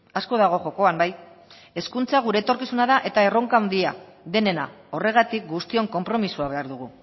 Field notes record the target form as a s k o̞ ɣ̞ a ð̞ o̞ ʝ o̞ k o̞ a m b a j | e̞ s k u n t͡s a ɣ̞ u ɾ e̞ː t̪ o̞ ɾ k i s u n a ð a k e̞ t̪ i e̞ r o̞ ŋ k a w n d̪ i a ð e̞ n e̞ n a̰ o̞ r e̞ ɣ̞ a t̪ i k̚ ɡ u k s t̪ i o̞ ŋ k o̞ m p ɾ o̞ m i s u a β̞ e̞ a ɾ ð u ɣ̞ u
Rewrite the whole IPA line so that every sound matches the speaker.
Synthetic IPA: a s k o̞ ð̞ a ɣ̞ o̞ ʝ o̞ k o̞ a m b a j | e̞ s k u n t͡s a ɣ̞ u ɾ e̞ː t̪ o̞ ɾ k i s u n a ð a ʔ e̞ t̪ a e̞ r o̞ ŋ k a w n d̪ i a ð e̞ n e̞ n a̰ o̞ r e̞ ɣ̞ a t̪ i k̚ ɡ u s t̪ i o̞ ŋ k o̞ m p ɾ o̞ m i s u a β̞ e̞ a ɾ ð u ɣ̞ u